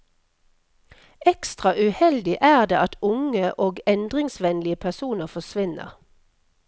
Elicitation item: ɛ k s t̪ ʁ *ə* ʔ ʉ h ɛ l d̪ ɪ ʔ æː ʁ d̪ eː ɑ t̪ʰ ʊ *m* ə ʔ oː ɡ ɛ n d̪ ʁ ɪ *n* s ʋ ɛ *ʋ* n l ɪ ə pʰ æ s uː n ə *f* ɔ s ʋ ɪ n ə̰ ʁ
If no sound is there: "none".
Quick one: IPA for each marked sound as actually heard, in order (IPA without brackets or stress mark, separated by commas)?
ɑ, ŋ, ŋ, none, f